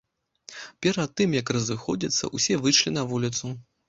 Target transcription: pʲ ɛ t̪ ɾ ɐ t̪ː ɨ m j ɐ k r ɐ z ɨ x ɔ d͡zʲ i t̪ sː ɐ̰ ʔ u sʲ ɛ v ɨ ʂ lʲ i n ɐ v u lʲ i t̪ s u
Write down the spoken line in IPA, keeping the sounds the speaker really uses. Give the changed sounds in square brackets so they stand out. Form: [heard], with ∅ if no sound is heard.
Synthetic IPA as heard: pʲ ɛ [∅] ɾ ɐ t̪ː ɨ m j ɐ k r ɐ z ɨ x ɔ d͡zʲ i t̪ sː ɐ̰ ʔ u sʲ ɛ v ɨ ʂ lʲ i n ɐ v u lʲ i t̪ s u